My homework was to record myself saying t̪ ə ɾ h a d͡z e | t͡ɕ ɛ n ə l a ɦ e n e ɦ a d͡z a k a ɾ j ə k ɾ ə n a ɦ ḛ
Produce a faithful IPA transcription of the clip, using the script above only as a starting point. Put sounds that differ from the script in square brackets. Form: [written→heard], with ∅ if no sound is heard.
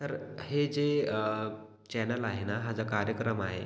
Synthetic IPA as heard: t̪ ə ɾ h [a→e] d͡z e | t͡ɕ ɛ n ə l a ɦ e n [e→a] ɦ a d͡z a k a ɾ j ə k ɾ ə [n→m] a ɦ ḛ